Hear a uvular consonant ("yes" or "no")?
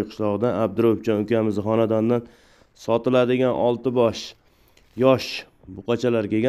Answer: yes